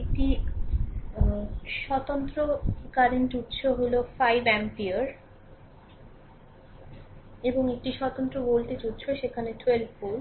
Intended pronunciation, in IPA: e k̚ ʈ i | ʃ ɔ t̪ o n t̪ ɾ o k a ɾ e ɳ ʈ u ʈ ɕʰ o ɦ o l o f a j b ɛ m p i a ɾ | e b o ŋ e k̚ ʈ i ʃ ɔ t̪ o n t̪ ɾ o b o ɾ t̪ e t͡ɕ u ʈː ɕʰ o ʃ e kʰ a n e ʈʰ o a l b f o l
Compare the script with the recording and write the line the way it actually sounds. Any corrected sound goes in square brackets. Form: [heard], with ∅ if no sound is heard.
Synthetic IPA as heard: e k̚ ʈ i | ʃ ɔ t̪ o n t̪ ɾ o k a ɾ e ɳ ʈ u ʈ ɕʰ o ɦ o l o f a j b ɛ m p i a ɾ | e b o ŋ e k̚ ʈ i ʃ ɔ t̪ o n t̪ ɾ o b o [l] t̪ e t͡ɕ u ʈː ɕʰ o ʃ e kʰ a n e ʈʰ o [e] l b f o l